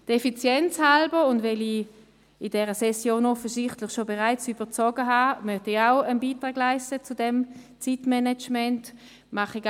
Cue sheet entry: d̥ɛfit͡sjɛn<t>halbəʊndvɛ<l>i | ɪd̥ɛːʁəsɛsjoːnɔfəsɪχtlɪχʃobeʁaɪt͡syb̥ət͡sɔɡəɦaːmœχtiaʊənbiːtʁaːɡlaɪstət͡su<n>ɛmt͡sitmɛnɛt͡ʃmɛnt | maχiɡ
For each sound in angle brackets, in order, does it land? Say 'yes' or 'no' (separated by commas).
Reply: no, yes, no